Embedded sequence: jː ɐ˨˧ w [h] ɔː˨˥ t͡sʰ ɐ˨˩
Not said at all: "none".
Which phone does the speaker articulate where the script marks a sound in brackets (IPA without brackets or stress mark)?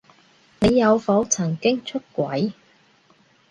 f